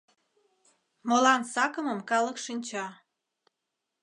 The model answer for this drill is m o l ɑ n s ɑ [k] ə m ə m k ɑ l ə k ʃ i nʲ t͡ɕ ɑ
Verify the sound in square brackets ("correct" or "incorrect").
correct